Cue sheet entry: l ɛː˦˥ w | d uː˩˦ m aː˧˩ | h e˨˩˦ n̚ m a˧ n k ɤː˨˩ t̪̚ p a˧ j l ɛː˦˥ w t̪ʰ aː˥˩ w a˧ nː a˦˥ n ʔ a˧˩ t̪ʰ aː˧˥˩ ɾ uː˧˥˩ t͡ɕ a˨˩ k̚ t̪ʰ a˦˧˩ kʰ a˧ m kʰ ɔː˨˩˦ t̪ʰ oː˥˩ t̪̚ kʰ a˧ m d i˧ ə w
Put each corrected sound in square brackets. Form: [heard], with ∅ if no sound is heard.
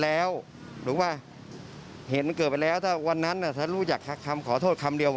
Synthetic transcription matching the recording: l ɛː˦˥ w | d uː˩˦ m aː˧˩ | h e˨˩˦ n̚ m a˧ n k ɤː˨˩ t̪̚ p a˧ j l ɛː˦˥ w t̪ʰ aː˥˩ w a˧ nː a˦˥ n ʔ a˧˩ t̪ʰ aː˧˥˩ ɾ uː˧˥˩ t͡ɕ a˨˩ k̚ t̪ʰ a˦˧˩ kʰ a˧ m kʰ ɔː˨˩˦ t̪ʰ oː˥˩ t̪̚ kʰ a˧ m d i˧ ə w